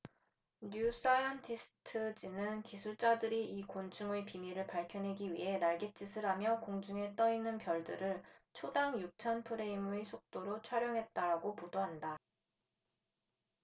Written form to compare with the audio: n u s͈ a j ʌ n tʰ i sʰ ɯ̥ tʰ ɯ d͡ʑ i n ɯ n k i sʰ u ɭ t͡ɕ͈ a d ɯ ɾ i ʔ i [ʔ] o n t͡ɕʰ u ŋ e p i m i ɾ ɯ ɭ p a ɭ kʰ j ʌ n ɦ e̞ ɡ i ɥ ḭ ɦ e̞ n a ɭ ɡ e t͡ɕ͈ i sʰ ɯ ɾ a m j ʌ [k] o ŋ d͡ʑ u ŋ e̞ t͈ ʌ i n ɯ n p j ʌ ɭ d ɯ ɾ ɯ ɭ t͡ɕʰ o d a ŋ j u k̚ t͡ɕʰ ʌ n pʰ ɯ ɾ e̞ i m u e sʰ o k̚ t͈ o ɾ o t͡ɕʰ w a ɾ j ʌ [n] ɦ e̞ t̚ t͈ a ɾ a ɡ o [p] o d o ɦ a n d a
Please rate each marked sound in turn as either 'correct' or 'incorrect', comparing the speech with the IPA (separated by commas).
incorrect, correct, incorrect, correct